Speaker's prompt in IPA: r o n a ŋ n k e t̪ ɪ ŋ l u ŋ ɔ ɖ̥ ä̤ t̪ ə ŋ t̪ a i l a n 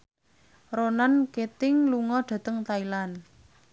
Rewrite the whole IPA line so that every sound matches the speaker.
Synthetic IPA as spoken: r o n a n k e t̪ ɪ ŋ l u ŋ ɔ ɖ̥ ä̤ t̪ ə ŋ t̪ a i l a n